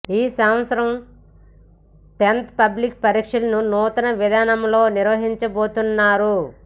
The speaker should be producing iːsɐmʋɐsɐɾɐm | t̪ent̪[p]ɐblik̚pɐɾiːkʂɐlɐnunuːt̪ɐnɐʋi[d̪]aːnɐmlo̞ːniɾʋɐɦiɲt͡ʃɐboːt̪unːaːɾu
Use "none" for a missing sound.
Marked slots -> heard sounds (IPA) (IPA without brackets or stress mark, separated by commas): p, d̪